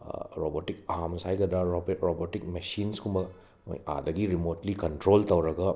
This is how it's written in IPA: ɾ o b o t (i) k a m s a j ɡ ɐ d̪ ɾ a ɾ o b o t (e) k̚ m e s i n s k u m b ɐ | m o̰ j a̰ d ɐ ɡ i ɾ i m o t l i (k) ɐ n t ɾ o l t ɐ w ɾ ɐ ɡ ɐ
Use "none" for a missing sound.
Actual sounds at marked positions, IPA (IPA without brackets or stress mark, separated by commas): i, i, k